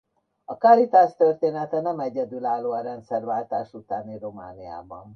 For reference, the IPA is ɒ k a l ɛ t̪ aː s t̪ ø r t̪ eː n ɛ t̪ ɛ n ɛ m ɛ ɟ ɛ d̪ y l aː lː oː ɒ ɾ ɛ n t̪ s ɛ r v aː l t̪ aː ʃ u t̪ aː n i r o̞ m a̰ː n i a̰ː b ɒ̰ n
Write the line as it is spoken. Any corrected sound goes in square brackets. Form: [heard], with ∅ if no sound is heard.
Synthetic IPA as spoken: ɒ k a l [i] t̪ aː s t̪ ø r t̪ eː n ɛ t̪ ɛ n ɛ m ɛ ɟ ɛ d̪ y l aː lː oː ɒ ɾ ɛ n t̪ s ɛ r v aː l t̪ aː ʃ u t̪ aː n i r o̞ m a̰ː n i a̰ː b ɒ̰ n